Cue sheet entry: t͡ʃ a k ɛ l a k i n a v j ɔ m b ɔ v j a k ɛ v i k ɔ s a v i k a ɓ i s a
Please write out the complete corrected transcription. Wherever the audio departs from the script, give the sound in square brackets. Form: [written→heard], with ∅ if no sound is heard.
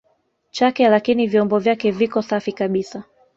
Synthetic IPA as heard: t͡ʃ a k ɛ l a k i n [a→i] v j ɔ m b ɔ v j a k ɛ v i k ɔ s a [v→f] i k a ɓ i s a